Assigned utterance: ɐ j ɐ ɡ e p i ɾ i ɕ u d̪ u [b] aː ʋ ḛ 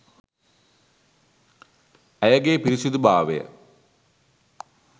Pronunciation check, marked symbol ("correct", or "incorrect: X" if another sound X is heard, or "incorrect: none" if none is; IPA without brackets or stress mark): correct